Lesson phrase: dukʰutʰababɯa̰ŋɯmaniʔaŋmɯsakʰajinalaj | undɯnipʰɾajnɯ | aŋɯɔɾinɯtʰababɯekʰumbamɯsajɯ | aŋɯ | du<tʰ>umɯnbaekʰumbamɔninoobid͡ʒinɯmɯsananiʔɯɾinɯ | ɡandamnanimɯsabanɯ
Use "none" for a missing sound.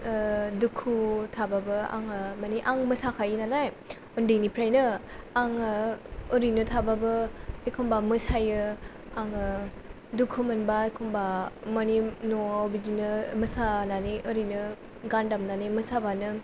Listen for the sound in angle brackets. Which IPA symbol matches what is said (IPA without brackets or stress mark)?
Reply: kʰ